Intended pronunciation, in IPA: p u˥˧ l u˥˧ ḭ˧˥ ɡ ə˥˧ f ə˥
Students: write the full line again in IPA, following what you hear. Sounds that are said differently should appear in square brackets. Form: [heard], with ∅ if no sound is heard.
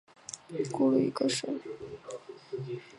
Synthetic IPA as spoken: [k] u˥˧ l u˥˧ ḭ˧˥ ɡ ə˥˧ [ʂ] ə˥